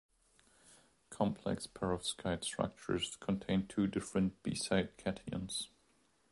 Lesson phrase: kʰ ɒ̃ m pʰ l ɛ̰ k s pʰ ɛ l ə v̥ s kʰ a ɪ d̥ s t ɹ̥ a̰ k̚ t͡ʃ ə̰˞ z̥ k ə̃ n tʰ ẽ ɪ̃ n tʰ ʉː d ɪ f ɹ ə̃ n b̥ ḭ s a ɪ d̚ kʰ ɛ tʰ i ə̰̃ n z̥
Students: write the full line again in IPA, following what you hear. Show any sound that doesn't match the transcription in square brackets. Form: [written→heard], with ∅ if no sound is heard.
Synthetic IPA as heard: kʰ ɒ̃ m pʰ l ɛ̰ k s pʰ ɛ [l→ɹ] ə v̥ s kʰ a ɪ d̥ s t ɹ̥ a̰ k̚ t͡ʃ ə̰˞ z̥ [k→kʰ] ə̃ n tʰ ẽ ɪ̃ n tʰ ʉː d ɪ f ɹ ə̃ n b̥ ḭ s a ɪ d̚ kʰ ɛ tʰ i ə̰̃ n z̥